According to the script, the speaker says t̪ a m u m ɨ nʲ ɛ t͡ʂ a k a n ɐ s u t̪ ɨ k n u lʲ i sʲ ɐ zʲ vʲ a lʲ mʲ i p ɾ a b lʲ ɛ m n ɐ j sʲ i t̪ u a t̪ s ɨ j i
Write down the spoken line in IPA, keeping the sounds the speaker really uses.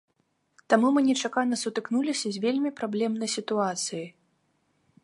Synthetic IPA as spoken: t̪ a m u m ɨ nʲ ɛ t͡ʂ a k a n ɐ s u t̪ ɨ k n u lʲ i sʲ ɐ zʲ vʲ e lʲ mʲ i p ɾ a b lʲ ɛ m n ɐ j sʲ i t̪ u a t̪ s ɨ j i